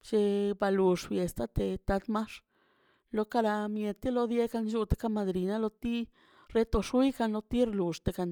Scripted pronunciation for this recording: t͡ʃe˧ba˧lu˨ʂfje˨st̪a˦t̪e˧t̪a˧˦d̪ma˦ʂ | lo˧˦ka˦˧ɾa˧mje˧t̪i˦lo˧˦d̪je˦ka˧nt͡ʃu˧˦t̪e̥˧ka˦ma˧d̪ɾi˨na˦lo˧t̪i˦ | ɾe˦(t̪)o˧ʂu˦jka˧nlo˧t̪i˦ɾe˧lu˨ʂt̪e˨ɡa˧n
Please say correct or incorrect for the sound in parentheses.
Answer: correct